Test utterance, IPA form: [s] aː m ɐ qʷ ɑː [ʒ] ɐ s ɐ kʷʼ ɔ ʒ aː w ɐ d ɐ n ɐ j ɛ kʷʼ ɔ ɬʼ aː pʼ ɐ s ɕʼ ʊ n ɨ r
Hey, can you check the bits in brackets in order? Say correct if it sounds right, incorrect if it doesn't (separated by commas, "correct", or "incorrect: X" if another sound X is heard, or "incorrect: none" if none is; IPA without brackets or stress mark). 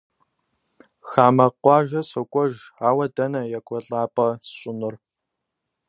incorrect: x, correct